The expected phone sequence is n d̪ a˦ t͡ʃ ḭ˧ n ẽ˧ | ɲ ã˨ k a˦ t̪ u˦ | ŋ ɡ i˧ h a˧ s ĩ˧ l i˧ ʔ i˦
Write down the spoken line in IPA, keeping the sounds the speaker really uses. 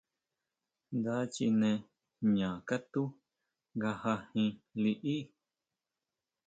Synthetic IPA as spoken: n d̪ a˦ t͡ʃ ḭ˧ n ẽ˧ | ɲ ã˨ k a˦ t̪ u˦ | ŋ ɡ a˧ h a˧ h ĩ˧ l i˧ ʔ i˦